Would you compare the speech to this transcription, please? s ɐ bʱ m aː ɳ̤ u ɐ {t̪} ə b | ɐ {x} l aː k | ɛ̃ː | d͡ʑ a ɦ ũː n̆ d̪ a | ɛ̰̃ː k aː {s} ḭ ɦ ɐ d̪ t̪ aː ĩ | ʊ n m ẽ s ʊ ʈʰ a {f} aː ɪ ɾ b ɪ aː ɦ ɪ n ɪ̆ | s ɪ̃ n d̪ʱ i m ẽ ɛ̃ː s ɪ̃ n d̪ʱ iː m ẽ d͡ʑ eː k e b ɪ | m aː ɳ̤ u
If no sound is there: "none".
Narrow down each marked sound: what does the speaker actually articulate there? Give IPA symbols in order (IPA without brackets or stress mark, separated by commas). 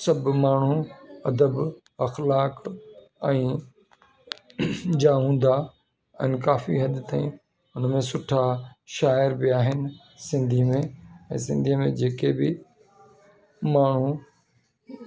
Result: d̪, x, f, ʃ